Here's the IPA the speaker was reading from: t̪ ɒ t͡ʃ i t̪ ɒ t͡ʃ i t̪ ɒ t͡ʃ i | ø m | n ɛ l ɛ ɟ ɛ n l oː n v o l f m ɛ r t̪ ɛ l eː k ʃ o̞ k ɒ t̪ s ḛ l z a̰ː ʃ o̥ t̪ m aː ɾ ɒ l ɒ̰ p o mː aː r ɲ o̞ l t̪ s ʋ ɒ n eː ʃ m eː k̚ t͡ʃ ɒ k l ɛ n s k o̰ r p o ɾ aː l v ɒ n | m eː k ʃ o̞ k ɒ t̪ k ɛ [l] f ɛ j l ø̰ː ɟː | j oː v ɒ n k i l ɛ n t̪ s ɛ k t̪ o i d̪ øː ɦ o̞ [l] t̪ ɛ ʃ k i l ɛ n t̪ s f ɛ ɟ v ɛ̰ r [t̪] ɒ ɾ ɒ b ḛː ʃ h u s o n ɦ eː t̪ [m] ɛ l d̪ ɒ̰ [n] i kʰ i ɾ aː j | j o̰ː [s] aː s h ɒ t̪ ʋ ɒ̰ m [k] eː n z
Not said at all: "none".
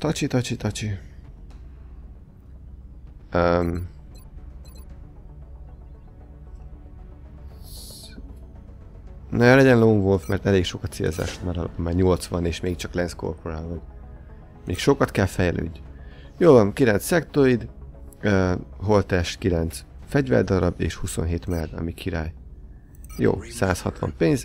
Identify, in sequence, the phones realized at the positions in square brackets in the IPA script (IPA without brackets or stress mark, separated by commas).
l, l, d̪, m, m, s, p